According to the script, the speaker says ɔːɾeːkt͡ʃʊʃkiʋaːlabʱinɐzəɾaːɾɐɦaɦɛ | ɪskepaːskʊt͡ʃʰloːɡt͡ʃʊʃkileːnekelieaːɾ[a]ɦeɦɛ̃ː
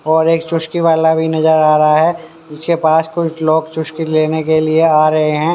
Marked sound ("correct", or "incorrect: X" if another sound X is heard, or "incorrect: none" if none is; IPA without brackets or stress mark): incorrect: ɐ